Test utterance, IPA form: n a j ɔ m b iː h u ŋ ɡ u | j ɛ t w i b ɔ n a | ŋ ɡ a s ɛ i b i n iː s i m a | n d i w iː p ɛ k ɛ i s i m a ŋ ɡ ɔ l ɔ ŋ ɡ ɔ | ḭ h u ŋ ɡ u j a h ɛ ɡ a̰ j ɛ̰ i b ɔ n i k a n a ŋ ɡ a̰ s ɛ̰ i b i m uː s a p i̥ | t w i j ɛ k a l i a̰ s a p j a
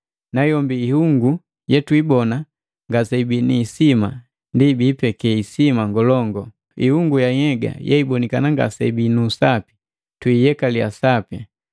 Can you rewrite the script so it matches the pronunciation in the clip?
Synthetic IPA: n a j ɔ m b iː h u ŋ ɡ u | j ɛ t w i b ɔ n a | ŋ ɡ a s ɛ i b i n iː s i m a | n d i b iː p ɛ k ɛ i s i m a ŋ ɡ ɔ l ɔ ŋ ɡ ɔ | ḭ h u ŋ ɡ u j a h ɛ ɡ a̰ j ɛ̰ i b ɔ n i k a n a ŋ ɡ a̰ s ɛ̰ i b i n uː s a p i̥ | t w i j ɛ k a l i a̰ s a p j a